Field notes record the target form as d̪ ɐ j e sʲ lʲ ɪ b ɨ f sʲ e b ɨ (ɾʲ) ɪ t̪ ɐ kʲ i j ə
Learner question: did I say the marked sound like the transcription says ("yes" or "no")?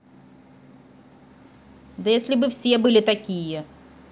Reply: no